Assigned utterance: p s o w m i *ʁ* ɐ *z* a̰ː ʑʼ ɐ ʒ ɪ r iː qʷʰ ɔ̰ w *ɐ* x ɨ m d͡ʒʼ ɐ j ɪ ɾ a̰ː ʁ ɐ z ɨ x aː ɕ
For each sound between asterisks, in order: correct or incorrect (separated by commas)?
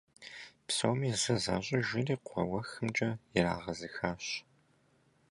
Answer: incorrect, correct, correct